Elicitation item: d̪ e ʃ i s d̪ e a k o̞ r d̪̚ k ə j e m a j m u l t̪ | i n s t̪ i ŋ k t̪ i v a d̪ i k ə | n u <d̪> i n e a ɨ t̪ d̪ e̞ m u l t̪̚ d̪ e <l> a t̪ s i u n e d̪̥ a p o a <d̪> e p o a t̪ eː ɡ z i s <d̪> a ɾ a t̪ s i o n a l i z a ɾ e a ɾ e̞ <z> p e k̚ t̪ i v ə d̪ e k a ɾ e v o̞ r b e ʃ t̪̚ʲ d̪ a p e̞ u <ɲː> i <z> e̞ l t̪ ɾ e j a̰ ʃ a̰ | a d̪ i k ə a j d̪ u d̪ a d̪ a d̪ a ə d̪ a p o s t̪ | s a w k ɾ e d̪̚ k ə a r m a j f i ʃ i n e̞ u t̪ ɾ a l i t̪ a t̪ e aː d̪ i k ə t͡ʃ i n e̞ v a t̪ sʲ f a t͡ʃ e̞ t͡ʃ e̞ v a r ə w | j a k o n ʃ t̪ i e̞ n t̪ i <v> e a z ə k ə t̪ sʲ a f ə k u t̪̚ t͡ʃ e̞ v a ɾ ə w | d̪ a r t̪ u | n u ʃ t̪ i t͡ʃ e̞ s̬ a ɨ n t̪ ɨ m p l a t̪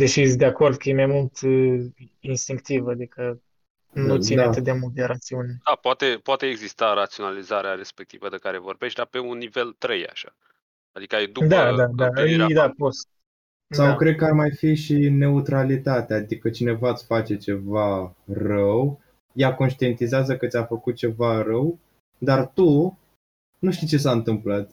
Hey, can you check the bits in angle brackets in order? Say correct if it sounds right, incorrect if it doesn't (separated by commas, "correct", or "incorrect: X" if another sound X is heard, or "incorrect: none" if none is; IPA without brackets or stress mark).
incorrect: t̪, incorrect: ɾ, incorrect: t̪, incorrect: t̪, incorrect: s, incorrect: nː, incorrect: v, incorrect: z